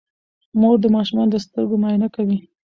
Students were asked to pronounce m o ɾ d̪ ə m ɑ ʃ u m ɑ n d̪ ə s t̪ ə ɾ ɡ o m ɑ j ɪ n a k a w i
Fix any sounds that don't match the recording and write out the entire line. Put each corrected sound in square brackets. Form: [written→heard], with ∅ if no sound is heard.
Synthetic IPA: m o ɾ d̪ ə m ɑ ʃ u m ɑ n d̪ ə s t̪ ə ɾ ɡ o m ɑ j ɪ n a k a w i